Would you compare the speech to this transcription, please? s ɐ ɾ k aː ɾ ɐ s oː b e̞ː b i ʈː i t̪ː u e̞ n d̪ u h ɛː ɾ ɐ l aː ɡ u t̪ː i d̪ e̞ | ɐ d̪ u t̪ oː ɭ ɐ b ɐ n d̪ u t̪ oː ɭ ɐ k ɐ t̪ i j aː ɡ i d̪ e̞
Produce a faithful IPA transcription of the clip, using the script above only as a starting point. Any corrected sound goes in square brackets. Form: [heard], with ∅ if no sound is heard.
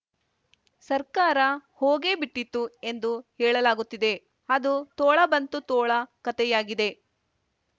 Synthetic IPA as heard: s ɐ ɾ k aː ɾ ɐ [h] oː [ɡ] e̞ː b i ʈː i t̪ː u e̞ n d̪ u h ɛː [ɭ] ɐ l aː ɡ u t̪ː i d̪ e̞ | ɐ d̪ u t̪ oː ɭ ɐ b ɐ n [t̪] u t̪ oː ɭ ɐ k ɐ t̪ [ɛ] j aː ɡ i d̪ e̞